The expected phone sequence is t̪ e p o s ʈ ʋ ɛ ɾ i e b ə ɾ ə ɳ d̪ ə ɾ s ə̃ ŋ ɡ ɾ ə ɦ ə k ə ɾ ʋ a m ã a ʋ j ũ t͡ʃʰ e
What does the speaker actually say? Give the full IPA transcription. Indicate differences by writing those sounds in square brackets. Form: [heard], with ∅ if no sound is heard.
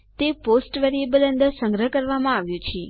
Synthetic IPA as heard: t̪ e p o s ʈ ʋ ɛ ɾ i e b ə [l] ə [n] d̪ ə ɾ s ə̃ ŋ ɡ ɾ ə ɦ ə k ə ɾ ʋ a m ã a ʋ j ũ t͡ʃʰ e